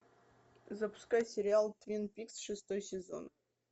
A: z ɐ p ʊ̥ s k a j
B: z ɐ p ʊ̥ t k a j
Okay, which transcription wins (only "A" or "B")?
A